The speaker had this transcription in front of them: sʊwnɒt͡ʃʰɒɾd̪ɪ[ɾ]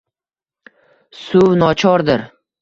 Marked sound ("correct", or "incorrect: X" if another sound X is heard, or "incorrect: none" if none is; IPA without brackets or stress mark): correct